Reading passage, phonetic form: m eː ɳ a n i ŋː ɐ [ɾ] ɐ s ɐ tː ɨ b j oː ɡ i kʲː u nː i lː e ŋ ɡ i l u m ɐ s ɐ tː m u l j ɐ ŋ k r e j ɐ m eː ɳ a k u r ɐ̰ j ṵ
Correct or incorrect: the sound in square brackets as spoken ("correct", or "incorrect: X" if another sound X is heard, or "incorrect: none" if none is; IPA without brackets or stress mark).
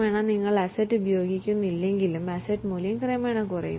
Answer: incorrect: ɭ